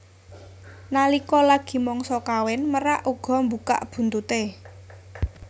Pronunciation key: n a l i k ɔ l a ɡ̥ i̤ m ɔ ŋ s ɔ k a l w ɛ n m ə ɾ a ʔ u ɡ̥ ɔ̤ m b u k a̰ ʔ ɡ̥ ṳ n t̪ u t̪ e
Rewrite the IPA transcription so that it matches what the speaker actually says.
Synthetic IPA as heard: n a l i k ɔ l a ɡ̥ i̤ m ɔ ŋ s ɔ k a w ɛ n m ə ɾ a ʔ u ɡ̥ ɔ̤ m b u k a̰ ʔ b̥ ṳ n t̪ u t̪ e